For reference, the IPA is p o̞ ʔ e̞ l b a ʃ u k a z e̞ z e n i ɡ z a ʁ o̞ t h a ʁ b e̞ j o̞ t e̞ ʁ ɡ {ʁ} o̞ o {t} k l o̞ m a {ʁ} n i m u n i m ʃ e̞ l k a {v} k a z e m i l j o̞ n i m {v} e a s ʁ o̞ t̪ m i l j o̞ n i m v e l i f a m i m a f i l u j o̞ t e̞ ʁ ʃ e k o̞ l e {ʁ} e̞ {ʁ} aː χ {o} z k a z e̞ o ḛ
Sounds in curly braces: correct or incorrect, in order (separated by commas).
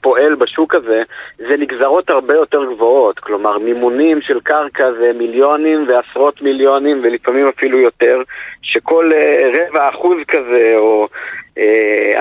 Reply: incorrect, correct, correct, incorrect, correct, correct, incorrect, incorrect